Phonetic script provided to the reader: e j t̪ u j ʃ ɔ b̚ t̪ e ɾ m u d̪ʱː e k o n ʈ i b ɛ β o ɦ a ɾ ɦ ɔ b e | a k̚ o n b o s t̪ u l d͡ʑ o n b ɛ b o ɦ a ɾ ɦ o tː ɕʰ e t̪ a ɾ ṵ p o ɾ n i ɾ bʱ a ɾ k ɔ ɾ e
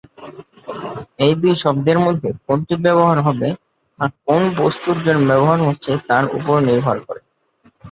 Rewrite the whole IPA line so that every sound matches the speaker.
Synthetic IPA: e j d̪ u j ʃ ɔ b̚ d̪ e ɾ m o d̪ʱː e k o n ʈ i b ɛ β o ɦ a ɾ ɦ ɔ b e | a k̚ o n b o s t̪ u ɾ d͡ʑ o n b ɛ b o ɦ a ɾ ɦ o tː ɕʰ e t̪ a ɾ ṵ p o ɾ n i ɾ bʱ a ɾ k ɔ ɾ e